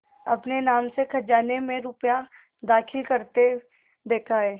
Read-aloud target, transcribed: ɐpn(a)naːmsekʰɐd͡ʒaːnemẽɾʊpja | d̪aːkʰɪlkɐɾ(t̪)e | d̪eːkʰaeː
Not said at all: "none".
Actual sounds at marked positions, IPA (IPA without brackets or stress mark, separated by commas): e, t̪